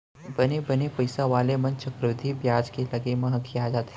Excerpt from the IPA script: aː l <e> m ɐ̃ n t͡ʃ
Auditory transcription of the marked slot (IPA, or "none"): e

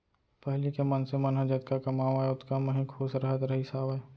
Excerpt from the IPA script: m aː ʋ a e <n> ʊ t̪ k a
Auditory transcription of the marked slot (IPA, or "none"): none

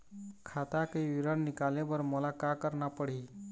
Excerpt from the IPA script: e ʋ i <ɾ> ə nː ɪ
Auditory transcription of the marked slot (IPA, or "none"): ɾ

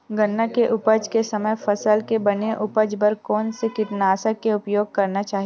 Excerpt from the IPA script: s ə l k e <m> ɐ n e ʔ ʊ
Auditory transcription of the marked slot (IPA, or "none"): b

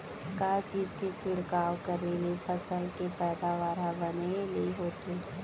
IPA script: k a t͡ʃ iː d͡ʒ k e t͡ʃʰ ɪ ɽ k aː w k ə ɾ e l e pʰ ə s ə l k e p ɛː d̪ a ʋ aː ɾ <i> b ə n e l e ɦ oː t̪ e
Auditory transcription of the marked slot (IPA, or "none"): a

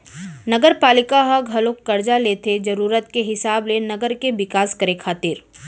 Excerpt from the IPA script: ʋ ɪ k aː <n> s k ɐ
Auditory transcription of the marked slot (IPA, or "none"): none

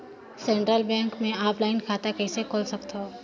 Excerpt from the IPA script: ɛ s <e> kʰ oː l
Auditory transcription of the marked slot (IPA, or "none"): e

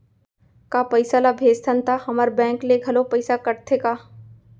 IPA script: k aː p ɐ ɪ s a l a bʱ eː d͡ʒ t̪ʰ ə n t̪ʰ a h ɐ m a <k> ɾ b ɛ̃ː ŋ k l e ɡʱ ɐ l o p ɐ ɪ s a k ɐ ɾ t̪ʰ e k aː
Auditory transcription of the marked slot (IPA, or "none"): none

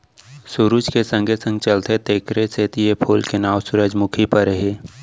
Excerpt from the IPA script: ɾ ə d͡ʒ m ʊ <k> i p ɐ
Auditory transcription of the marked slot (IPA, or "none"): kʰ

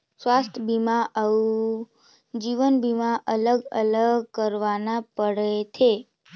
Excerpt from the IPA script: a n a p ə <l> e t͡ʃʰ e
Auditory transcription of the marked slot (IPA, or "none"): ɽ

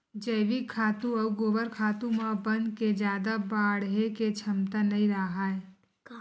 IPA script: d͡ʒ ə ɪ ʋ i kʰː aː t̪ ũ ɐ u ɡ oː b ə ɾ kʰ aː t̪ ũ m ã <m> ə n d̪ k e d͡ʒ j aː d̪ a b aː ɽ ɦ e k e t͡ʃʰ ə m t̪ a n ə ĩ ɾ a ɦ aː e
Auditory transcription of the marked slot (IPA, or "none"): b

